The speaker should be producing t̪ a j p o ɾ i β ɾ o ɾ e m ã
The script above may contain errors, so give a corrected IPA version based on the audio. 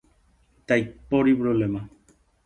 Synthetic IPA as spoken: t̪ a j p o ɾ i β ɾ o l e m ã

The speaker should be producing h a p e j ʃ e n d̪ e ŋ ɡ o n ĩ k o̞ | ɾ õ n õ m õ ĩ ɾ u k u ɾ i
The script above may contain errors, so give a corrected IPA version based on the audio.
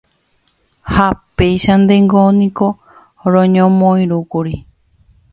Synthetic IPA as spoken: h a p e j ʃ a n d̪ e ŋ ɡ o n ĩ k o̞ | ɾ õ ɲ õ m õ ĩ ɾ u k u ɾ i

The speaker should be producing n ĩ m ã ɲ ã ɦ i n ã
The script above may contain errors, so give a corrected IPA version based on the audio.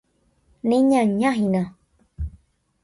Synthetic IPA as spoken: n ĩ ɲ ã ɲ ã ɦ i n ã

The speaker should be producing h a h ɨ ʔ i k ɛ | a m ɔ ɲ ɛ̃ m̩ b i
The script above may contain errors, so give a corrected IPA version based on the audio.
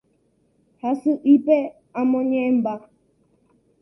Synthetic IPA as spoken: h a s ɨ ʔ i p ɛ | a m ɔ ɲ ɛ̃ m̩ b a

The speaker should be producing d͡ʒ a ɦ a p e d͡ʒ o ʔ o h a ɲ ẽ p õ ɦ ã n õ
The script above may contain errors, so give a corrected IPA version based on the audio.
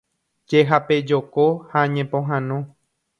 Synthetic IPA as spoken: d͡ʒ e ɦ a p e d͡ʒ o k o h a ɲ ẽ p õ ɦ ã n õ

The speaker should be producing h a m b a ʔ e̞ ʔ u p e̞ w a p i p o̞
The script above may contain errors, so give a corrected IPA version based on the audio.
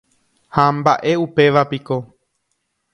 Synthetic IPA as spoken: h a m b a ʔ e̞ u p e̞ ʋ a p i k o̞

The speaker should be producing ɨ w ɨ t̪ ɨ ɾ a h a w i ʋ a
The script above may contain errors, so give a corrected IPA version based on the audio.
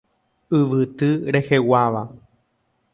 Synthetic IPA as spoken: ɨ ʋ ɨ t̪ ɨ ɾ e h e w a ʋ a

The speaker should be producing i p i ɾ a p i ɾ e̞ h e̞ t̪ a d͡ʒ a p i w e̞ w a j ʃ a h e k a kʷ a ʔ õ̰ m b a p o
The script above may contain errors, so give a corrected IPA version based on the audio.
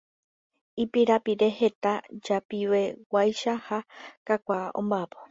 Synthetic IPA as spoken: i p i ɾ a p i ɾ e̞ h e̞ t̪ a d͡ʒ a p i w e̞ w a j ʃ a h a k a kʷ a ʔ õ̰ m b a p o

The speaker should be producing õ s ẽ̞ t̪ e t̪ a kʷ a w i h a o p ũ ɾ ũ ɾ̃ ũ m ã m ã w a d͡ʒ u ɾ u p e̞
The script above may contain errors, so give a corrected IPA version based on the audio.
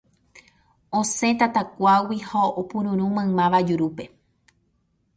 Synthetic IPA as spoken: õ s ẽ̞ t̪ a t̪ a kʷ a w i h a o p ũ ɾ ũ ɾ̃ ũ m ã m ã ʋ a d͡ʒ u ɾ u p e̞

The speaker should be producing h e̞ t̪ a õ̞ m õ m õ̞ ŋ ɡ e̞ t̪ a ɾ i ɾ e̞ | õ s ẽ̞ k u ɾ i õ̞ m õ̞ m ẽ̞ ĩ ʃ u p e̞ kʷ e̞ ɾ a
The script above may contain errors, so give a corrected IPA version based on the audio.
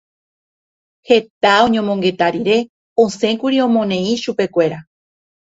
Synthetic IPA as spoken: h e̞ t̪ a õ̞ ɲ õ m õ̞ ŋ ɡ e̞ t̪ a ɾ i ɾ e̞ | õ s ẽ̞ k u ɾ i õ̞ m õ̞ n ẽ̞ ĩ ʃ u p e̞ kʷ e̞ ɾ a

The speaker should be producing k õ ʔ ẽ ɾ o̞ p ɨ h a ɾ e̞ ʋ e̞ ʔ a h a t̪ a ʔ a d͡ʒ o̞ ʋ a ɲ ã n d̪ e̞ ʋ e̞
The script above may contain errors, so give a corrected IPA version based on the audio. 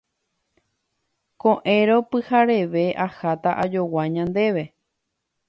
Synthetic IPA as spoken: k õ ʔ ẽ ɾ o̞ p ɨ h a ɾ e̞ ʋ e̞ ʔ a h a t̪ a ʔ a d͡ʒ o̞ w a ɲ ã n d̪ e̞ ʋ e̞

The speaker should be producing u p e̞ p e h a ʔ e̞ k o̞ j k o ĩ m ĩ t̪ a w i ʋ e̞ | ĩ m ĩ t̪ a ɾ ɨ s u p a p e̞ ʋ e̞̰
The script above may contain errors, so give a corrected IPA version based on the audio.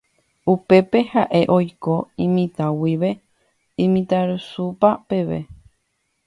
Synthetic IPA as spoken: u p e̞ p e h a ʔ e̞ ʔ o̞ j k o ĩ m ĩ t̪ a w i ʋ e̞ | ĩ m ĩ t̪ a ɾ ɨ s u p a p e̞ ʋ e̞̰

